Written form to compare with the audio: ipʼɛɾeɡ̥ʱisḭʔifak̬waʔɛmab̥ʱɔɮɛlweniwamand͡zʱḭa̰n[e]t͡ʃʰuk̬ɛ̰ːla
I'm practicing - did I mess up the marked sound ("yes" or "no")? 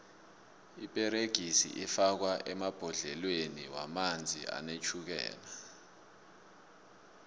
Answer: no